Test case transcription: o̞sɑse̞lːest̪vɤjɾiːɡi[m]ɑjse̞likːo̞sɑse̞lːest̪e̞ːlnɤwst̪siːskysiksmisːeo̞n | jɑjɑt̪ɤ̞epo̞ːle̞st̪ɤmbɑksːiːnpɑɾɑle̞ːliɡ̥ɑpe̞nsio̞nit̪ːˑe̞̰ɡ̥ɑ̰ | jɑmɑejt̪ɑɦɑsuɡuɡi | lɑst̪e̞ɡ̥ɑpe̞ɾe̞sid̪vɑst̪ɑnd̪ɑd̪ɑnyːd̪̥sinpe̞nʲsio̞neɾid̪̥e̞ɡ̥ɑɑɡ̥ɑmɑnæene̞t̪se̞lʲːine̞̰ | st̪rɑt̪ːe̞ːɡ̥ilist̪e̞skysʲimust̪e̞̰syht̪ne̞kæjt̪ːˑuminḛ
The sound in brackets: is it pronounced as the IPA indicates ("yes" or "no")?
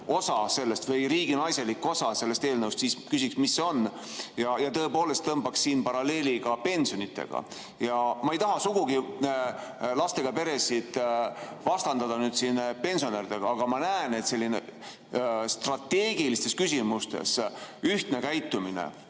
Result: no